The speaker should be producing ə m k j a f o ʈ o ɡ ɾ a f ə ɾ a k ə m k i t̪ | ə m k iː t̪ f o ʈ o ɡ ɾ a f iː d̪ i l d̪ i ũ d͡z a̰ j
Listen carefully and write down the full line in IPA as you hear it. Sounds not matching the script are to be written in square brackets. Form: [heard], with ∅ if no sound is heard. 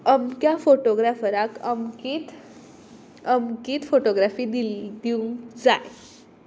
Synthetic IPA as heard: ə m k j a f o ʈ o ɡ ɾ a f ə ɾ a k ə m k i t̪ | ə m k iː t̪ f o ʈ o ɡ ɾ a f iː d̪ i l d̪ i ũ d͡z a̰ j